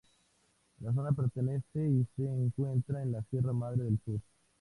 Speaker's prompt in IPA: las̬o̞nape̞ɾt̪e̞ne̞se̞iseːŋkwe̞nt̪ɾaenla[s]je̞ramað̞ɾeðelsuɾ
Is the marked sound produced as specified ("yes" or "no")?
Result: yes